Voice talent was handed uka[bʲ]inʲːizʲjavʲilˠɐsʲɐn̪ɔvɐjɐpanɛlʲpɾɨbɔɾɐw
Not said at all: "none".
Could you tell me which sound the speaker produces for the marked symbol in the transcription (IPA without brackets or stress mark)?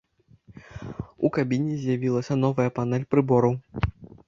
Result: bʲ